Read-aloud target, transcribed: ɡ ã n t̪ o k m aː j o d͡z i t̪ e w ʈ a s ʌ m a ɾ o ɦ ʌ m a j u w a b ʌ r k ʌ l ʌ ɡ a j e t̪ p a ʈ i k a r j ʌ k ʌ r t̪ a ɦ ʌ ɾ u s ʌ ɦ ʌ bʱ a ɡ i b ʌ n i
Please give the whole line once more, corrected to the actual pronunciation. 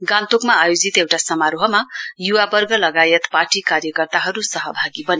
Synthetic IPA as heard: ɡ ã n t̪ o k m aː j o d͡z i t̪ e w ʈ a s ʌ m a ɾ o ɦ ʌ m a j u w a b ʌ r ɡ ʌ l ʌ ɡ a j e t̪ p a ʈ i k a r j ʌ k ʌ r t̪ a ɦ ʌ ɾ u s ʌ ɦ ʌ bʱ a ɡ i b ʌ n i